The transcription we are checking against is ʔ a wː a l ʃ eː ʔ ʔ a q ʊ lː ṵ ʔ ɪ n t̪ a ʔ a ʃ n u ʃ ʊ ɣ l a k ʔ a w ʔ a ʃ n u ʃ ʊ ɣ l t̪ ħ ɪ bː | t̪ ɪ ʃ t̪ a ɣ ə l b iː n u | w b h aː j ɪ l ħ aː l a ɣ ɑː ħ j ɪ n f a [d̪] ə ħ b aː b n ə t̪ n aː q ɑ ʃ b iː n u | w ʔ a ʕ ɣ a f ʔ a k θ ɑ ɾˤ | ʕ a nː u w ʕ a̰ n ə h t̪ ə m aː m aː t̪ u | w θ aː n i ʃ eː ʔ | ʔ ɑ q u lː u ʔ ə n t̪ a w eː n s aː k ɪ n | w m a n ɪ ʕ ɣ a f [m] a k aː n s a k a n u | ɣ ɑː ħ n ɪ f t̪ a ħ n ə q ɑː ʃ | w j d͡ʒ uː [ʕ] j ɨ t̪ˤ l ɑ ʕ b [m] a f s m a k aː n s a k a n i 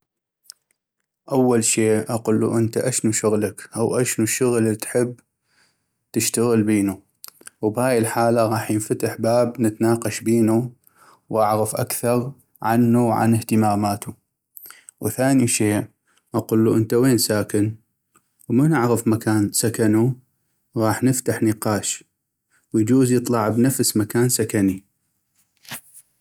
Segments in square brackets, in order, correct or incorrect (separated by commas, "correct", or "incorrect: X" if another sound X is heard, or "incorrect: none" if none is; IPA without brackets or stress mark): incorrect: t̪, correct, incorrect: z, incorrect: n